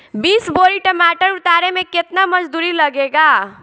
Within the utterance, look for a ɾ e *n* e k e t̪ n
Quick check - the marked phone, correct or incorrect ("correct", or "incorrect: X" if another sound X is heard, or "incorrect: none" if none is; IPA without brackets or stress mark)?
incorrect: m